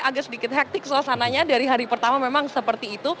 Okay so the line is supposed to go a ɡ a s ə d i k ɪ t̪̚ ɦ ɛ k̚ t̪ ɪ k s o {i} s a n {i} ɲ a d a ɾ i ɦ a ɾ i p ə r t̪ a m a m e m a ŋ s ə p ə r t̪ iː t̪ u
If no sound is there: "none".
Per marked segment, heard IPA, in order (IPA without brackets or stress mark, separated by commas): a, a